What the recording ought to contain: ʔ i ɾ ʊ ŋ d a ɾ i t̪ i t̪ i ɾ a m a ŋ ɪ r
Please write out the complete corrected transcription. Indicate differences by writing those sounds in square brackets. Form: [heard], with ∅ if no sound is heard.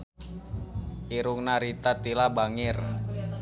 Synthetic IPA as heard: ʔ i ɾ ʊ ŋ [n] a ɾ i t̪ [a] t̪ i [l] a [b] a ŋ ɪ r

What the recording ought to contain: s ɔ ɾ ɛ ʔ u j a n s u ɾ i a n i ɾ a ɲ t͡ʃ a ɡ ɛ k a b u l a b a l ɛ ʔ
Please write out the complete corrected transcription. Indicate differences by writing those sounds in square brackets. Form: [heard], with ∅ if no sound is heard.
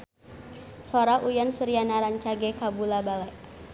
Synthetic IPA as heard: s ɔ ɾ [a] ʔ u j a n s u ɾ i a n [a] ɾ a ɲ t͡ʃ a ɡ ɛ k a b u l a b a l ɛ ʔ

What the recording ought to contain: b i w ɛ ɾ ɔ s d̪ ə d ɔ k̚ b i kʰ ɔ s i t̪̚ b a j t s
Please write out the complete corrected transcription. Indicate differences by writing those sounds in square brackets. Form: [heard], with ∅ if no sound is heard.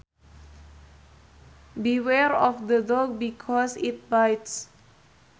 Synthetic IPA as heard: b i w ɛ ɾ ɔ [f] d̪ ə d ɔ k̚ b i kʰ ɔ s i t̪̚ b a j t s

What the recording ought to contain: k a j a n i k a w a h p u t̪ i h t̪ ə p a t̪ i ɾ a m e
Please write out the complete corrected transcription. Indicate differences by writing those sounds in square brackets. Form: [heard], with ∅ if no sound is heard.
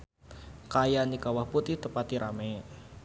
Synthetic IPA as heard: k a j a n i k a w a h p u t̪ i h t̪ ə p a t̪ i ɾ a m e

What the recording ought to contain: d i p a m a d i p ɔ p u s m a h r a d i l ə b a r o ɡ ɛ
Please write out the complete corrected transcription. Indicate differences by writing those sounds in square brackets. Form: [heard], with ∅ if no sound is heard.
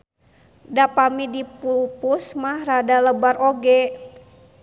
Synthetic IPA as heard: d [a] p a m [i] d i p [u] p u s m a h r a d [a] l ə b a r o ɡ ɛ

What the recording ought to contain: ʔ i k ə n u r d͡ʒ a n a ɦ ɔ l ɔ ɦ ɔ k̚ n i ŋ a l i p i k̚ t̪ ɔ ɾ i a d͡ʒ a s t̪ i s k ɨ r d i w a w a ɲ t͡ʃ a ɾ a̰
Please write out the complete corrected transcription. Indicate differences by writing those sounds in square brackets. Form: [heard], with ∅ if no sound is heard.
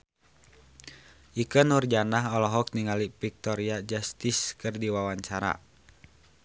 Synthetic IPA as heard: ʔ i k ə n u r d͡ʒ a n a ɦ ɔ l ɔ ɦ ɔ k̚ n i ŋ a l i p i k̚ t̪ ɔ ɾ i a d͡ʒ a s t̪ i s k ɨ r d i w a w a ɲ t͡ʃ a ɾ a̰

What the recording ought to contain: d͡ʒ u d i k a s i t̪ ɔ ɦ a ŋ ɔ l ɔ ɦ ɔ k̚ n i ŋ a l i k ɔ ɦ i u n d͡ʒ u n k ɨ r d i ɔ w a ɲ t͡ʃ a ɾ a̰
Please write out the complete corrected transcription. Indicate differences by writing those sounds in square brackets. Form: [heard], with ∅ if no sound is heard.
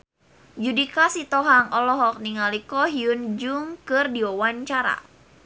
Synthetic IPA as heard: d͡ʒ u d i k a s i t̪ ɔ ɦ a ŋ ɔ l ɔ ɦ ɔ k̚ n i ŋ a l i k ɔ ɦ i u n d͡ʒ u [ŋ] k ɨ r d i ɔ w a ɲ t͡ʃ a ɾ a̰

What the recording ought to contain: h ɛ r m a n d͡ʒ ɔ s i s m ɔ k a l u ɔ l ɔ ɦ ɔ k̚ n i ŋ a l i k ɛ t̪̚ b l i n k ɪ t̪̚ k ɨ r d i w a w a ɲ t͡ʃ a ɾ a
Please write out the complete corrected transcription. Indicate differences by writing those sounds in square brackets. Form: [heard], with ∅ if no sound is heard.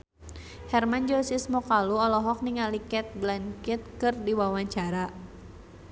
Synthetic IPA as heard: h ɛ r m a n d͡ʒ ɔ s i s m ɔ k a l u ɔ l ɔ ɦ ɔ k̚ n i ŋ a l i k ɛ t̪̚ b l [a] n k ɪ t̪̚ k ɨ r d i w a w a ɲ t͡ʃ a ɾ a

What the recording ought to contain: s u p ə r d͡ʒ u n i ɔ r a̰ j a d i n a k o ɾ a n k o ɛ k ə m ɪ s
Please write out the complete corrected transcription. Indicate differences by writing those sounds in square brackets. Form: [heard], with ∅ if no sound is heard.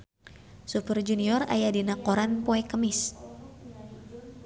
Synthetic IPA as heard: s u p ə r d͡ʒ u n i ɔ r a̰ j a d i n a k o ɾ a n [p] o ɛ k ə m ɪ s

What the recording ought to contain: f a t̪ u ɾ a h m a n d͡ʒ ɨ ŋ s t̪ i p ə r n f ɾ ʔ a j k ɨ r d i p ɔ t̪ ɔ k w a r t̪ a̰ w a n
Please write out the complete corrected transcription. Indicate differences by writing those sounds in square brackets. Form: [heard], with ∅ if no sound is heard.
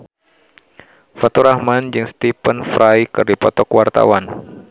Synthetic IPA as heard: f a t̪ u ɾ a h m a n d͡ʒ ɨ ŋ s t̪ i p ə [∅] n f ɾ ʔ a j k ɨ r d i p ɔ t̪ ɔ k w a r t̪ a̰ w a n

